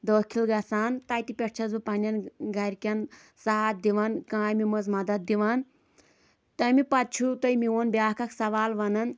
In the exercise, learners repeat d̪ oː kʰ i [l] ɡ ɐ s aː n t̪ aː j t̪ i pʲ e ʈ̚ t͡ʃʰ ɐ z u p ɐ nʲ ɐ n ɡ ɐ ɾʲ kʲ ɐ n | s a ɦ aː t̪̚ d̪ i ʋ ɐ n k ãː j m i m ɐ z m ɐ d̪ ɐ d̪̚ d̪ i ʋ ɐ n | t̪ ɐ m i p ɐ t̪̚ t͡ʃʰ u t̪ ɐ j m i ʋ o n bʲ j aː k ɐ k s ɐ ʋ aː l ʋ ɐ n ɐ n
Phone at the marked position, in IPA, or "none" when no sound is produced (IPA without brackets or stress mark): l